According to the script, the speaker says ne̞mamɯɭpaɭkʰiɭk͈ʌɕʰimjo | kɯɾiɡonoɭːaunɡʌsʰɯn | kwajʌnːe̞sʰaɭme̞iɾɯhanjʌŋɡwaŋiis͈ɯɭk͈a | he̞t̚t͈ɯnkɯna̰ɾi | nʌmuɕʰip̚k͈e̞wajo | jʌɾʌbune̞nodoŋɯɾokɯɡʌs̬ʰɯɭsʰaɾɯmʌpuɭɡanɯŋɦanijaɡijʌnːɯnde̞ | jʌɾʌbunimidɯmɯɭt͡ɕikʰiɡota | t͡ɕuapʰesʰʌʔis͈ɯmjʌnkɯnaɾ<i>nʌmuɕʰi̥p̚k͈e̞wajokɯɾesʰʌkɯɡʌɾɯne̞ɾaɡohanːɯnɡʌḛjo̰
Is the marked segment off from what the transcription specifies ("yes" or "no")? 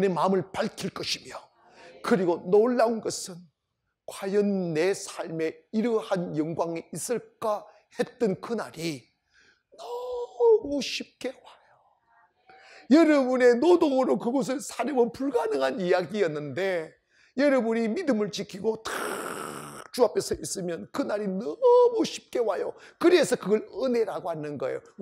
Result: no